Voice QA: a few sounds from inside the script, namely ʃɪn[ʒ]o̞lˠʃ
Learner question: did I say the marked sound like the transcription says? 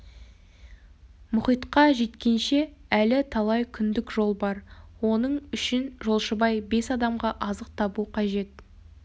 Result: yes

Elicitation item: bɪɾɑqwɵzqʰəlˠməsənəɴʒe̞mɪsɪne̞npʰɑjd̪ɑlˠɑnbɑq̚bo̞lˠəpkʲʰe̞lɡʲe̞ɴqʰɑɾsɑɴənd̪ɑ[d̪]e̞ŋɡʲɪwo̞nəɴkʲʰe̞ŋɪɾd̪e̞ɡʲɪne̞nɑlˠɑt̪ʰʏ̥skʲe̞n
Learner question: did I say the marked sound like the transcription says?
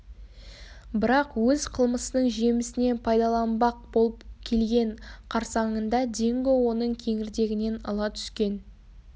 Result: yes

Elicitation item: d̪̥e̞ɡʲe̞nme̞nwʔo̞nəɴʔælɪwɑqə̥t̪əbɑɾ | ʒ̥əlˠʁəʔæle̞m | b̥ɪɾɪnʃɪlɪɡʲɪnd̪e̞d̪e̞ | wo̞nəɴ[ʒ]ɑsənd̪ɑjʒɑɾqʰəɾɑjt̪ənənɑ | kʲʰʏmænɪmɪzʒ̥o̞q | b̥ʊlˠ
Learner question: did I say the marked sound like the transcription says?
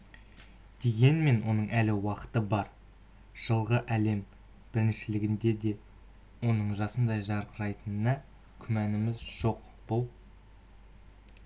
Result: yes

